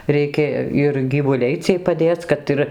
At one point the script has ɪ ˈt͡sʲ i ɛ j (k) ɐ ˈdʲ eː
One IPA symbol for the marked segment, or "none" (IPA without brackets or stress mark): p